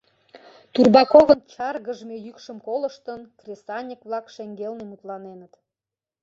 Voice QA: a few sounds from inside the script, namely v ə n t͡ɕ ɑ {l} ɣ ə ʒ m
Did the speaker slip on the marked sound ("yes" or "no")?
yes